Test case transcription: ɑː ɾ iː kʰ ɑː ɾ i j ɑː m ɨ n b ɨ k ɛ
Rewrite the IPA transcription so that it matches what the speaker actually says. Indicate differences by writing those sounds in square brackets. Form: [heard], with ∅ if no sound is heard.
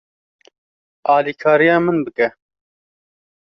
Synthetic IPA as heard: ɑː [l] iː kʰ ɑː ɾ i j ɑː m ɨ n b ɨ k ɛ